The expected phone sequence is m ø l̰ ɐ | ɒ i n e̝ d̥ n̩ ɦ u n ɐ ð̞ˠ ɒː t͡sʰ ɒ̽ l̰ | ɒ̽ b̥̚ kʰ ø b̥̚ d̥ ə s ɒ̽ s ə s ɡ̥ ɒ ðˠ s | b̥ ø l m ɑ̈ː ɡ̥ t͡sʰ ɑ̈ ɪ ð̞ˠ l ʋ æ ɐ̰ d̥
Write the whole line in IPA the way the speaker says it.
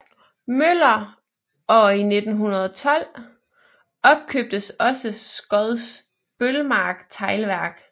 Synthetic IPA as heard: m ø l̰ ɐ | ɒ i n e̝ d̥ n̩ ɦ u n ɐ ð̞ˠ ɒ t͡sʰ ɒ̽ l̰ | ɒ̽ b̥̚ kʰ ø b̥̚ d̥ ə s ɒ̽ s ə s ɡ̥ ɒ ðˠ s | b̥ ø l m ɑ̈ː ɡ̥ t͡sʰ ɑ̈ ɪ l ʋ æ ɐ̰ ɡ̥